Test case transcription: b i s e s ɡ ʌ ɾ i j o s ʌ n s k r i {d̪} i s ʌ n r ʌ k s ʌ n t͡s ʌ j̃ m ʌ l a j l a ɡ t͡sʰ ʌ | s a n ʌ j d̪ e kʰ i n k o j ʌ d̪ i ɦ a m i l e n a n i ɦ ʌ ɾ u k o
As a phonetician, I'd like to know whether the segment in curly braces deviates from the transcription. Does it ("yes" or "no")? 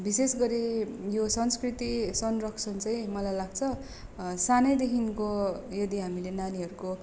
yes